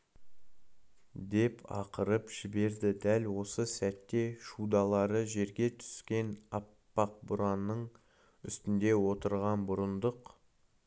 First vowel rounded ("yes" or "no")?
no